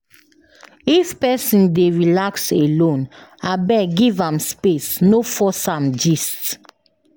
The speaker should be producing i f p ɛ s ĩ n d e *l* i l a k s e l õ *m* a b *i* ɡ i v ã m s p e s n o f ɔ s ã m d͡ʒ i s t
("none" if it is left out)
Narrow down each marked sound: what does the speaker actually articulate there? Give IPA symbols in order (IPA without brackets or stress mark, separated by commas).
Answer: ɹ, n, ɛ